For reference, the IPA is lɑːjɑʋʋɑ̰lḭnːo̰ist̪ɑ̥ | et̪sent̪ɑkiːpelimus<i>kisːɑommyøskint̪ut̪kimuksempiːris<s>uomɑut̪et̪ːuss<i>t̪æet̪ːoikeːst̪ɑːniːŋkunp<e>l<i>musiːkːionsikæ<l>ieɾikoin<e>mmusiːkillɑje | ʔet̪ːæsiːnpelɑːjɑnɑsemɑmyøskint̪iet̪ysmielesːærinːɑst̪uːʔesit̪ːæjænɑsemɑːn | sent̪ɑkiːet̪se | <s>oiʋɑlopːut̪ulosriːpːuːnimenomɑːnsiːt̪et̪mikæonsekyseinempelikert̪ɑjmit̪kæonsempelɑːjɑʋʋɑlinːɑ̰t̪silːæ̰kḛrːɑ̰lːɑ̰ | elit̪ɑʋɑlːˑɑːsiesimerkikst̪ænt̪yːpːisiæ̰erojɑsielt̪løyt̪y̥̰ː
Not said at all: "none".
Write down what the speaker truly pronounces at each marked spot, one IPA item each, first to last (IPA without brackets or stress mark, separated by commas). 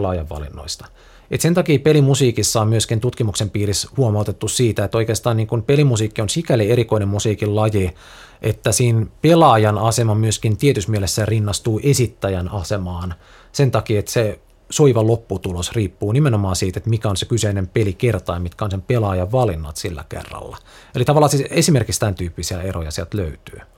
iː, h, iː, e, i, l, e, s